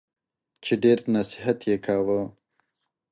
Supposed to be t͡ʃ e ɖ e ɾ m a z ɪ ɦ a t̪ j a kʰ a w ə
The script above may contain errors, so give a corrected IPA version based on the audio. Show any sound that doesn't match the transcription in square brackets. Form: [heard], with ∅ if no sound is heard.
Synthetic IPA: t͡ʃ e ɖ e ɾ [n] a [s] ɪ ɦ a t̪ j [e] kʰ a w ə